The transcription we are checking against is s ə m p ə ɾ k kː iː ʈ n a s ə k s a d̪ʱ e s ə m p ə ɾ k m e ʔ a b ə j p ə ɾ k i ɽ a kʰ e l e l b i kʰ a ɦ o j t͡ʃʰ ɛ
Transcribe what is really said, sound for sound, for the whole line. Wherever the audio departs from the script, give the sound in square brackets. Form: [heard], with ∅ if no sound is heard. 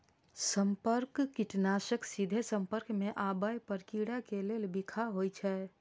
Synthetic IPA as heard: s ə m p ə ɾ k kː [i] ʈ n a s ə k s [i] d̪ʱ e s ə m p ə ɾ k m e ʔ a b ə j p ə ɾ k i ɽ a [k] e l e l b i kʰ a ɦ o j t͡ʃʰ ɛ